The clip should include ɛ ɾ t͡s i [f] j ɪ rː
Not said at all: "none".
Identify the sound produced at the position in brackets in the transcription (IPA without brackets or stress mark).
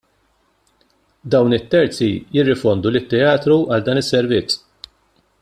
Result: none